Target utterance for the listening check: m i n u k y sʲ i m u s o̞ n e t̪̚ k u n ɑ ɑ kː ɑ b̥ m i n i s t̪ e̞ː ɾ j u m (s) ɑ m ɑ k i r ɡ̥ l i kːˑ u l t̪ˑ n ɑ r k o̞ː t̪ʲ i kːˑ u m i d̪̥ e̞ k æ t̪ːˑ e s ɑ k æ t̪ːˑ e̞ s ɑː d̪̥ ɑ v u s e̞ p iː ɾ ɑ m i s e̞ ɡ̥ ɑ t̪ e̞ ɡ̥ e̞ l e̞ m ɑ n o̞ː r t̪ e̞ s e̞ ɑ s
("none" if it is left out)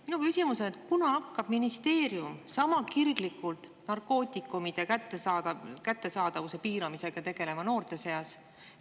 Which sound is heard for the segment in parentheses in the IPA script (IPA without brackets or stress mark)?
s